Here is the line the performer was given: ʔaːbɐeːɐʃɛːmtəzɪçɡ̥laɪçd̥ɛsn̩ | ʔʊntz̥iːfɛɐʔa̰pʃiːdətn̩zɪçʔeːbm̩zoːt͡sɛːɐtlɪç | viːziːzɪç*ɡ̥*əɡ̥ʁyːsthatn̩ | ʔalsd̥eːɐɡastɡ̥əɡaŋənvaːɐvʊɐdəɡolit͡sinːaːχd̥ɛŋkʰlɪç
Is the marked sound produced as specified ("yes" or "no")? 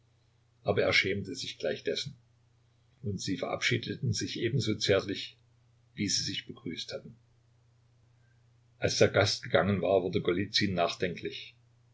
no